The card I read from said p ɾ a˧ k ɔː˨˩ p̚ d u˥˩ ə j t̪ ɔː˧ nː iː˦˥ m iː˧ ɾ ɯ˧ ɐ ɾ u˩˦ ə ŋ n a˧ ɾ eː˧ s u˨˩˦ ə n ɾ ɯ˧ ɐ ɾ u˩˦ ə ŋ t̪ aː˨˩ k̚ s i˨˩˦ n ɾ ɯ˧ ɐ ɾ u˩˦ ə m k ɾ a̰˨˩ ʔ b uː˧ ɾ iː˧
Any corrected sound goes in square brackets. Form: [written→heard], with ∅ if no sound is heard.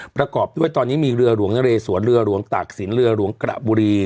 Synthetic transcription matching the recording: p ɾ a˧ k ɔː˨˩ p̚ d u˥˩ ə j t̪ ɔː˧ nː iː˦˥ m iː˧ ɾ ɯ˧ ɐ ɾ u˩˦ ə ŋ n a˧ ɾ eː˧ s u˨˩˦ ə n ɾ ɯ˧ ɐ ɾ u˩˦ ə ŋ t̪ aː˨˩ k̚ s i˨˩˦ n ɾ ɯ˧ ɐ ɾ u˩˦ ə [m→ŋ] k ɾ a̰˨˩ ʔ b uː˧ ɾ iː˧